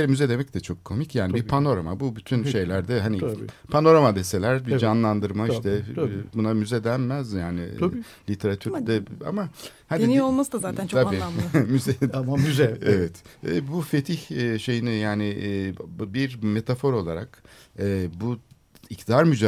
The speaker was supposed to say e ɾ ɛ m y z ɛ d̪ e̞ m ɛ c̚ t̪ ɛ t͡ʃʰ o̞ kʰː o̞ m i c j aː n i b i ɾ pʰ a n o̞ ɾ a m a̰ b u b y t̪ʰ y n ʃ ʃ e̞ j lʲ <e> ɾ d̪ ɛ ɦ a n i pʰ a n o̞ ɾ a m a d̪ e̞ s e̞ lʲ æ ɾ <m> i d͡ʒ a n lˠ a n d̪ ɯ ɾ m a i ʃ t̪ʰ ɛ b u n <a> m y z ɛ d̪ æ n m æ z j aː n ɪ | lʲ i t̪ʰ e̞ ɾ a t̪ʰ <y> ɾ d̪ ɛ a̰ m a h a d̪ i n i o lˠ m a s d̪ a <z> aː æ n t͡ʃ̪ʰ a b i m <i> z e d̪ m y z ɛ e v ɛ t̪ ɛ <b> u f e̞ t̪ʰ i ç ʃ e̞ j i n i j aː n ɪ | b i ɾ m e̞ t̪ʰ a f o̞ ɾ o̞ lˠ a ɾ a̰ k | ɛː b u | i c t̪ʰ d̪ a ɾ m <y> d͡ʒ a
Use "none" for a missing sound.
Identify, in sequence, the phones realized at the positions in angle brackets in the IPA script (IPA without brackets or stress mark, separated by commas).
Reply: æ, b, a, y, z, y, b, y